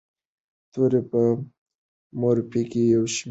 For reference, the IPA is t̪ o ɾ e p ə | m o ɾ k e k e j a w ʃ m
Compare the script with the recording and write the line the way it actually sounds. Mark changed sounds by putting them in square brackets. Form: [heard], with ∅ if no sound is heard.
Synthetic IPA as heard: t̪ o ɾ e p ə | m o ɾ [p] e k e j a w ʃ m